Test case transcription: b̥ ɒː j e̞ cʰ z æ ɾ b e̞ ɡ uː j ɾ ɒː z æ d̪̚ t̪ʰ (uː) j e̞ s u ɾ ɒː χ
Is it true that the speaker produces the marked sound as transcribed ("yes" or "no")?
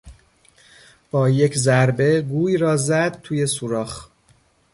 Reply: yes